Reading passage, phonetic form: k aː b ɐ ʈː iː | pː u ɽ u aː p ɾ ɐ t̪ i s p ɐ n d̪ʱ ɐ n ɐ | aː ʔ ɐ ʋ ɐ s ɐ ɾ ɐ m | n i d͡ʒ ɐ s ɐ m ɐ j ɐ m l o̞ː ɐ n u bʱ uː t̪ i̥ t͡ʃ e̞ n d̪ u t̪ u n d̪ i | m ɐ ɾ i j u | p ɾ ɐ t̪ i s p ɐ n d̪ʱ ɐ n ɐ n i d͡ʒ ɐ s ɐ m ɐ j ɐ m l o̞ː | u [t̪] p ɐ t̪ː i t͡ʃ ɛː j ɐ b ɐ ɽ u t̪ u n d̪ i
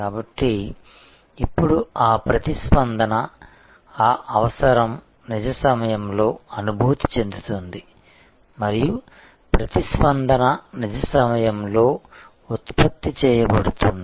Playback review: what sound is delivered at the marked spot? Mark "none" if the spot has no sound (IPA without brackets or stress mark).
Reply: t̪